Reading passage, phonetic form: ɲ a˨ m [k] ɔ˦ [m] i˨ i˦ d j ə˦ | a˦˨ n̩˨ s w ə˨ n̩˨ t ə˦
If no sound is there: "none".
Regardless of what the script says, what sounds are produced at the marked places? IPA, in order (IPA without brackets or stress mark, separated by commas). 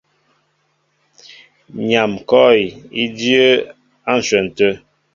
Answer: k, none